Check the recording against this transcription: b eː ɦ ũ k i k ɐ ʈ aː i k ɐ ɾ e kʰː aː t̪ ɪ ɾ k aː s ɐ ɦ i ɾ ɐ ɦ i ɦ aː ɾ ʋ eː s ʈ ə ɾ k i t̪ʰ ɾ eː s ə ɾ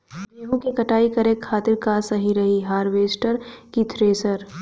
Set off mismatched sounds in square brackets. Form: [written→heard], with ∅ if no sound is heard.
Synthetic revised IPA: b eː ɦ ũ k i k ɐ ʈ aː i k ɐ ɾ e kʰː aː t̪ ɪ ɾ k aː s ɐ ɦ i ɾ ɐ ɦ i ɦ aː ɾ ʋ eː s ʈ ə ɾ k i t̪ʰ ɾ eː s ə ɾ